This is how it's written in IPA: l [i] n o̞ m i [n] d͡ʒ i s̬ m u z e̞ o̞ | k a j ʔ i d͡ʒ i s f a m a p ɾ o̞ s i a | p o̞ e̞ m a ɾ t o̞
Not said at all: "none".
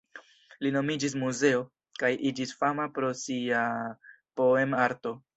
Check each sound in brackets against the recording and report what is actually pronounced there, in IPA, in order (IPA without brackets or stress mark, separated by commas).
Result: i, none